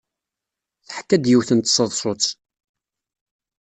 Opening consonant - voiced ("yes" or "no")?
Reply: no